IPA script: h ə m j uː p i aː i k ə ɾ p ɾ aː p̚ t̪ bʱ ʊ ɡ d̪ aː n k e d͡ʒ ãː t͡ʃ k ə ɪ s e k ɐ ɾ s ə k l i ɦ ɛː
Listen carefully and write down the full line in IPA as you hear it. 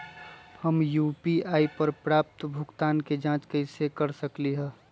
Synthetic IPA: h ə m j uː p i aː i p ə ɾ p ɾ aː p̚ t̪ bʱ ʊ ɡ t̪ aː n k e d͡ʒ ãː t͡ʃ k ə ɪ s e k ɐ ɾ s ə k l i ɦ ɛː